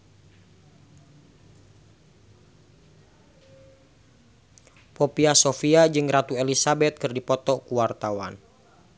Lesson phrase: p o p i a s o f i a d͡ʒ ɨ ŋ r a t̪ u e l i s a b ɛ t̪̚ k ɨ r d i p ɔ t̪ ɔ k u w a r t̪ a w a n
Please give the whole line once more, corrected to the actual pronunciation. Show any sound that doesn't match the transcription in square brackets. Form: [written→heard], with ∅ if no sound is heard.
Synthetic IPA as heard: p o p i a s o f i a d͡ʒ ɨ ŋ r a t̪ u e l i s a b ɛ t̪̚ k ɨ r d i p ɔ t̪ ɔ k u w a r t̪ a w a n